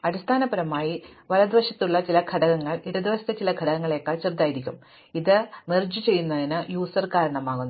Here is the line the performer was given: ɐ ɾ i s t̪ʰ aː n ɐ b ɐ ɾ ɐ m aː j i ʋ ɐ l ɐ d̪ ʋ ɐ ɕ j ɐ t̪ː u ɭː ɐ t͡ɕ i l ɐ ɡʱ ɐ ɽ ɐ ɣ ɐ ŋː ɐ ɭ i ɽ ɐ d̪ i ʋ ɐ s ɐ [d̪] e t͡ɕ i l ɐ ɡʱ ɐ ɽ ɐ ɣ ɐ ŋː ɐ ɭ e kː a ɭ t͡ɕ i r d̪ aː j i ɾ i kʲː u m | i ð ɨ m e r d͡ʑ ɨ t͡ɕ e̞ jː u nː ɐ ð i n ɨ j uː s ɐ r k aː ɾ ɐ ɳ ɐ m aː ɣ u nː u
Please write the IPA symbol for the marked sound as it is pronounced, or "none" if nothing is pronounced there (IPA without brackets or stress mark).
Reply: t̪